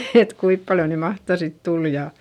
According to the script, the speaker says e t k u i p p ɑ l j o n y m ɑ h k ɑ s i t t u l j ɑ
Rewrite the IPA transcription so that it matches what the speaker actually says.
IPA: e t k u i p p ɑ l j o n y m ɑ h t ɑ s i t t u l j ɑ